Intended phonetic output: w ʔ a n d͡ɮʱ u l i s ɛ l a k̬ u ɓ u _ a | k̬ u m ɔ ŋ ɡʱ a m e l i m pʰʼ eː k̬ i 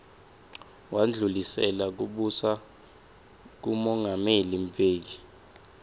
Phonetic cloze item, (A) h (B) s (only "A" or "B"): B